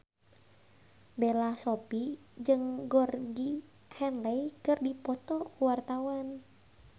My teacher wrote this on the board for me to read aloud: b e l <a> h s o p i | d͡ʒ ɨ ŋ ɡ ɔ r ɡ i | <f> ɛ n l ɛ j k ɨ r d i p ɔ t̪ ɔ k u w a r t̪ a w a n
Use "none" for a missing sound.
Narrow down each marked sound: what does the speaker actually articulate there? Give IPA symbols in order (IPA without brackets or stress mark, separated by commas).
a, h